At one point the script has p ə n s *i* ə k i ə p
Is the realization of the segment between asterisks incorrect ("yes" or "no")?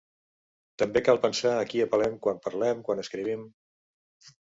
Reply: yes